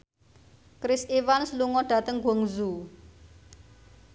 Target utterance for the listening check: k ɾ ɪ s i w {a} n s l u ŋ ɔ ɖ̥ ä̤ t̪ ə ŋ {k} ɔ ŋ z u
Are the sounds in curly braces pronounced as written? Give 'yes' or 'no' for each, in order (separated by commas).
yes, no